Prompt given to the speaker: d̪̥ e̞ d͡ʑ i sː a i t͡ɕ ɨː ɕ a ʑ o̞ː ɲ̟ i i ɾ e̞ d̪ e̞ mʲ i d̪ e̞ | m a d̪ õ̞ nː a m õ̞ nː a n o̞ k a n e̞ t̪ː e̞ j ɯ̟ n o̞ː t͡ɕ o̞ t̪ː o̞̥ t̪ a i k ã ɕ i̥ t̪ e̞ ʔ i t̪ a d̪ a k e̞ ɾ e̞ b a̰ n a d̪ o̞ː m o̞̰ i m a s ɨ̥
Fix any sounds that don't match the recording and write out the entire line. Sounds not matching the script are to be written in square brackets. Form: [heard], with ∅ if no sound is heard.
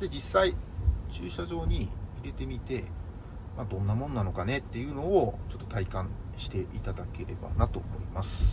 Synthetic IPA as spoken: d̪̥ e̞ d͡ʑ i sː a i t͡ɕ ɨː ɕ a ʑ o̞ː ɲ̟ i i ɾ e̞ [t̪] e̞ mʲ i [t̪] e̞ | m a d̪ õ̞ nː a m õ̞ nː a n o̞ k a n e̞ t̪ː e̞ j ɯ̟ n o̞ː t͡ɕ o̞ t̪ː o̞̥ t̪ a i k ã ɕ i̥ t̪ e̞ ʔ i t̪ a d̪ a k e̞ ɾ e̞ b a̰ n a [t̪] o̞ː m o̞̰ i m a s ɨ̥

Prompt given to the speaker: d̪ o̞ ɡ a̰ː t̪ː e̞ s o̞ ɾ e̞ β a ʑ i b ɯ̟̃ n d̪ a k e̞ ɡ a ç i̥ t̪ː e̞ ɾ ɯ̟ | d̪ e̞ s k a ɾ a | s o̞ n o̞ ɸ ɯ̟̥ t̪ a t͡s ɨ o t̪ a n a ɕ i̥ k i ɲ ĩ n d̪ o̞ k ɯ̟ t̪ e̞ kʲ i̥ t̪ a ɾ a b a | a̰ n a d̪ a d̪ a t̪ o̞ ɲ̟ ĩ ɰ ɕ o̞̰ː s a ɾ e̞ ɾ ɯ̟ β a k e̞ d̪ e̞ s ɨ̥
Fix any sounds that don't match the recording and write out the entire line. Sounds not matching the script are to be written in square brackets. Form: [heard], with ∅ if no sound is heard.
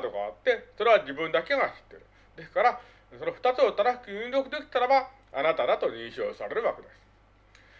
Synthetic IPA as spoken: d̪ o̞ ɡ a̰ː t̪ː e̞ s o̞ ɾ e̞ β a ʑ i b ɯ̟̃ n d̪ a k e̞ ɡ a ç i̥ t̪ː e̞ ɾ ɯ̟ | d̪ e̞ s k a ɾ a | s o̞ n o̞ ɸ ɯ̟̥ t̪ a t͡s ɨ o t̪ a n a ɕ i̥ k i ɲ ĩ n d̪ o̞ k ɯ̟ [d̪] e̞ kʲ i̥ t̪ a ɾ a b a | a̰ n a [t̪] a d̪ a t̪ o̞ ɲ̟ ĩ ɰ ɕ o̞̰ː s a ɾ e̞ ɾ ɯ̟ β a k e̞ d̪ e̞ s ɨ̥

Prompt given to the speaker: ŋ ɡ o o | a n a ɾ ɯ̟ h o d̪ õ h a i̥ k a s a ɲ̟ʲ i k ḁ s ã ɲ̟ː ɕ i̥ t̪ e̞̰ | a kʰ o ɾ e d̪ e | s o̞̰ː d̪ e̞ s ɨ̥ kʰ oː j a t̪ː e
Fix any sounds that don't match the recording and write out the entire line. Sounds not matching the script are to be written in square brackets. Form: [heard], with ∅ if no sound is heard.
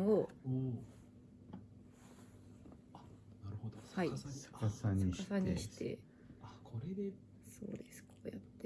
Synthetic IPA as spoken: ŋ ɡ o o | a n a ɾ ɯ̟ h o d̪ [o] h a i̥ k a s a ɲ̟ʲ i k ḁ s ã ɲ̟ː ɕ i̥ t̪ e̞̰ | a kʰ o ɾ e d̪ e | s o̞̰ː d̪ e̞ s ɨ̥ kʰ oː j a t̪ː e

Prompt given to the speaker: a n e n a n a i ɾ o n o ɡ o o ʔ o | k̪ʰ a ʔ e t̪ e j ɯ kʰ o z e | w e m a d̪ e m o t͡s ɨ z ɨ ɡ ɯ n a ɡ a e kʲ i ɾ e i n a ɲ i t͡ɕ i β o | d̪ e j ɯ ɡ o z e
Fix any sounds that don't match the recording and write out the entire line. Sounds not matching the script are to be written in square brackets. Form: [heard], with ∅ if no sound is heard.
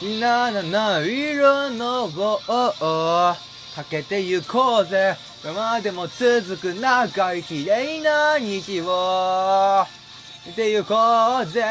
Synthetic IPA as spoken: [i] n [a] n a n a i ɾ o n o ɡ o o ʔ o | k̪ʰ a [k] e t̪ e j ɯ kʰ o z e | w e m a d̪ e m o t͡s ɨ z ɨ [k] ɯ n a ɡ a [i] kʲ i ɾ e i n a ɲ i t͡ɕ i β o | [t̪] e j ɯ [k] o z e

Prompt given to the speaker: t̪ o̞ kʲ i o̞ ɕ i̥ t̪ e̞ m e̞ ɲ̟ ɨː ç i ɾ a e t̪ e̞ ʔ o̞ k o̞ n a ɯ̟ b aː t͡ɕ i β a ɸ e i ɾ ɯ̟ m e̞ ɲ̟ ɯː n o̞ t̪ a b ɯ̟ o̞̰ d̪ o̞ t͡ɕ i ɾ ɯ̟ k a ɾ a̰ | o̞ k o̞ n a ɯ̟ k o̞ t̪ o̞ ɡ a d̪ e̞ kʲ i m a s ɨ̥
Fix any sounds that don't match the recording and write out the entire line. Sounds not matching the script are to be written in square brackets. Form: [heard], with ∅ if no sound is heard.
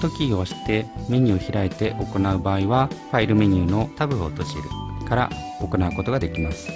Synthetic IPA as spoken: t̪ o̞ kʲ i o̞ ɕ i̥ t̪ e̞ m e̞ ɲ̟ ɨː ç i ɾ a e t̪ e̞ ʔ o̞ k o̞ n a ɯ̟ b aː [∅] i β a ɸ [a] i ɾ ɯ̟ m e̞ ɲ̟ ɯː n o̞ t̪ a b ɯ̟ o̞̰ [t̪] o̞ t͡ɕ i ɾ ɯ̟ k a ɾ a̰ | o̞ k o̞ n a ɯ̟ k o̞ t̪ o̞ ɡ a d̪ e̞ kʲ i m a s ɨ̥

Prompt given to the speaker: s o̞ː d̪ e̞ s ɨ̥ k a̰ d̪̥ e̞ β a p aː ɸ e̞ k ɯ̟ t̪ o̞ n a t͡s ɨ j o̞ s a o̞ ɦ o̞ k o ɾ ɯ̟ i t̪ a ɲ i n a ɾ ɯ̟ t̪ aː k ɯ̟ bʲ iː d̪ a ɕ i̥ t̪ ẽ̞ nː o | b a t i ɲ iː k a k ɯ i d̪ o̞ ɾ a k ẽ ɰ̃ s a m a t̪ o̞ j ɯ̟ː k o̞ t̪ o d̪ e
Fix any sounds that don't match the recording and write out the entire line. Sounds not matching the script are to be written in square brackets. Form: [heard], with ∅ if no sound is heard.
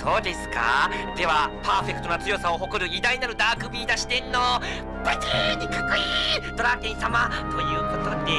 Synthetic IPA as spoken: s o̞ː d̪ e̞ s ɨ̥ k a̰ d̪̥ e̞ β a p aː ɸ e̞ k ɯ̟ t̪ o̞ n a t͡s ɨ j o̞ s a o̞ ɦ o̞ k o ɾ ɯ̟ i [d̪] a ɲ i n a ɾ ɯ̟ [d̪] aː k ɯ̟ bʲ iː d̪ a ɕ i̥ t̪ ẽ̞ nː o | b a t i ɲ [i] k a k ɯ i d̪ o̞ ɾ a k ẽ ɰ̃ s a m a t̪ o̞ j ɯ̟ː k o̞ t̪ o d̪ e

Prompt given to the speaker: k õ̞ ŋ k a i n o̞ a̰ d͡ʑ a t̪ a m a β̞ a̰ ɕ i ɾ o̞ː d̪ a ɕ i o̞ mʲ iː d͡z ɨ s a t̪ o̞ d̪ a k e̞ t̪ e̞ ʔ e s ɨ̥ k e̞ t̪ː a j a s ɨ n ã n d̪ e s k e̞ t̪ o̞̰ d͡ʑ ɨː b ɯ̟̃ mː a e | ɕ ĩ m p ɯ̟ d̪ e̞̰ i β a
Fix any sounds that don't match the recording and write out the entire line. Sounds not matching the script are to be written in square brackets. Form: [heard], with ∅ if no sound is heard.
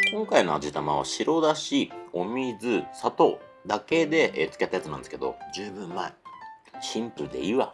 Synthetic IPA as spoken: k õ̞ ŋ k a i n o̞ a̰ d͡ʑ [i] t̪ a m a β̞ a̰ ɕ i ɾ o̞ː d̪ a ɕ i o̞ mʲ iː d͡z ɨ s a t̪ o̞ d̪ a k e̞ [d̪] e̞ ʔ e [t͡s] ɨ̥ k e̞ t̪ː a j a [t͡s] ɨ n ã n d̪ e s k e̞ [d̪] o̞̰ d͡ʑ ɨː b ɯ̟̃ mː a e | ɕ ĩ m p ɯ̟ d̪ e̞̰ i β a

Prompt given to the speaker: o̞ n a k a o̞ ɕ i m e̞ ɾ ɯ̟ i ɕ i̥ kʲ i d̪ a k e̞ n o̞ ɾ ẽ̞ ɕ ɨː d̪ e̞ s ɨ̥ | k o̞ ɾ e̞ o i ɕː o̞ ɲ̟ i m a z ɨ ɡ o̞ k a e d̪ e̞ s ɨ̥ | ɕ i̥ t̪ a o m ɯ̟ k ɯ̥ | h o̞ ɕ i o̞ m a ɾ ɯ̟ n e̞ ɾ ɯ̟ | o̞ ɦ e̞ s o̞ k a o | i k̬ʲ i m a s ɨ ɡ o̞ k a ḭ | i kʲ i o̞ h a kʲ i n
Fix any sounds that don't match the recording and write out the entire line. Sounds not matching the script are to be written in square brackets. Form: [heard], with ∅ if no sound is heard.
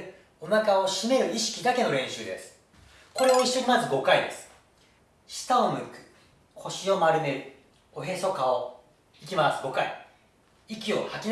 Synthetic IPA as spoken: o̞ n a k a o̞ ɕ i m e̞ ɾ ɯ̟ i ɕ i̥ kʲ i d̪ a k e̞ n o̞ ɾ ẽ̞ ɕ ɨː d̪ e̞ s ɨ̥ | k o̞ ɾ e̞ o i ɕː o̞ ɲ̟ i m a z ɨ ɡ o̞ k a [i] d̪ e̞ s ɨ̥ | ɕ i̥ t̪ a o m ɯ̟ k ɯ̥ | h o̞ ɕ i o̞ m a ɾ ɯ̟ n e̞ ɾ ɯ̟ | o̞ ɦ e̞ s o̞ k a o | i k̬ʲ i m a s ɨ ɡ o̞ k a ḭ | i kʲ i o̞ h a kʲ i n

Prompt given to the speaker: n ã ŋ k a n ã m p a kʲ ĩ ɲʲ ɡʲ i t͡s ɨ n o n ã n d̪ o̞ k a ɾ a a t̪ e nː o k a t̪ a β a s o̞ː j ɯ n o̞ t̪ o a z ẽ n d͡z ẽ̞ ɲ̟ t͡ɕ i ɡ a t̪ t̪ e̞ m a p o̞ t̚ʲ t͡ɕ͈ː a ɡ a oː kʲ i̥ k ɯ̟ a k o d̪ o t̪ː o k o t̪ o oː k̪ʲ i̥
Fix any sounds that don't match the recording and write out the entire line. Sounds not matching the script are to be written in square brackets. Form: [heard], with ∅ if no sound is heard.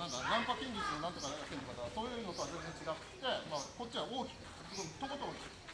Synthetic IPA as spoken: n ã ŋ k a n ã m p a kʲ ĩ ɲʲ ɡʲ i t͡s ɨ n o n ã n [t̪] o̞ k a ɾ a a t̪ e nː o k a t̪ a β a s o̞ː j ɯ n o̞ t̪ o a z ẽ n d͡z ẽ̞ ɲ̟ t͡ɕ i ɡ a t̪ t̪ e̞ m a [k] o̞ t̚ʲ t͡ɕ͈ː [i] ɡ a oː kʲ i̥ k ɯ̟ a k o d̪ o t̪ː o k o t̪ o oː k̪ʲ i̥

